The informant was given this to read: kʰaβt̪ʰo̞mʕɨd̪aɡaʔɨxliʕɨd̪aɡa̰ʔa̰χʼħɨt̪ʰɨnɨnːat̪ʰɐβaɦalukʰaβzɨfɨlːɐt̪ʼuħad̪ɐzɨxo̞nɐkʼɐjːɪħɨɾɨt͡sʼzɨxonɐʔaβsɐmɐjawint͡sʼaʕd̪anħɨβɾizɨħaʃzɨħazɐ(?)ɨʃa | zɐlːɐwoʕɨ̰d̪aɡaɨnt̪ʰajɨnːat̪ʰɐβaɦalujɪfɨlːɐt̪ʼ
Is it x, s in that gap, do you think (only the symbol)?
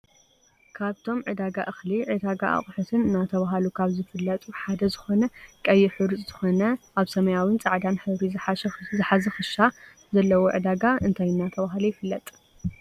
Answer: x